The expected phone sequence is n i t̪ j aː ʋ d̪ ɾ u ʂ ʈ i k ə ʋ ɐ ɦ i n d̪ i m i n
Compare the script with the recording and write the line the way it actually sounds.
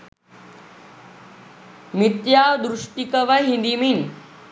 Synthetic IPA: m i t̪ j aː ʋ d̪ ɾ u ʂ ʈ i k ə ʋ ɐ ɦ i n d̪ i m i n